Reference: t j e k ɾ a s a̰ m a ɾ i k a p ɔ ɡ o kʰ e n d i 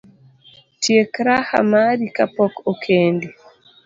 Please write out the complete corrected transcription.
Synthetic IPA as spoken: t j e k ɾ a h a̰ m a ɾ i k a p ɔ k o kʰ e n d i

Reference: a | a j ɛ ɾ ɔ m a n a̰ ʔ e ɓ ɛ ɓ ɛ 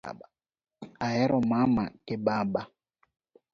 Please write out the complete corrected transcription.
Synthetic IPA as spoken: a | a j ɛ ɾ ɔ m a m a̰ k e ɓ a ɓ a

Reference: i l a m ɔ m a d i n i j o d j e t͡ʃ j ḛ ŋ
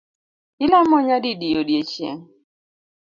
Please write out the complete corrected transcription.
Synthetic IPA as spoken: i l a m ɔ ɲ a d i d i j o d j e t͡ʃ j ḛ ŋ

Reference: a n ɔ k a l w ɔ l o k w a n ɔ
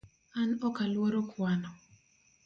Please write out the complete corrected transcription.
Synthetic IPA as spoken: a n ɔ k a l w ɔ ɾ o k w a n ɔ

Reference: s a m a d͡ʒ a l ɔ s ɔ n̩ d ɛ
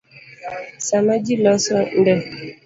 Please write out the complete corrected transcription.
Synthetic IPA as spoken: s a m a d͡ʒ i l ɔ s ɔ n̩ d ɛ

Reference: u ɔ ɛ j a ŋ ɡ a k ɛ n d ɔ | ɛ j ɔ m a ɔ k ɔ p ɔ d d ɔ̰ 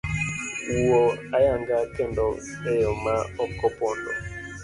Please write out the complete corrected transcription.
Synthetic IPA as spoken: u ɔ a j a ŋ ɡ a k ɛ n d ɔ | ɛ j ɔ m a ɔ k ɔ p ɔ n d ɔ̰

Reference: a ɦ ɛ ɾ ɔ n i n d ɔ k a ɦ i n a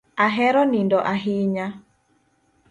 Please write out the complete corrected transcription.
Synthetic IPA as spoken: a ɦ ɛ ɾ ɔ n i n d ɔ ʔ a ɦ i ɲ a

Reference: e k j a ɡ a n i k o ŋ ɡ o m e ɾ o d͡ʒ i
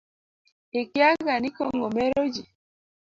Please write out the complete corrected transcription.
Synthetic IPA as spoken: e k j a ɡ a n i k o ŋ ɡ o m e ɾ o d͡ʒ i

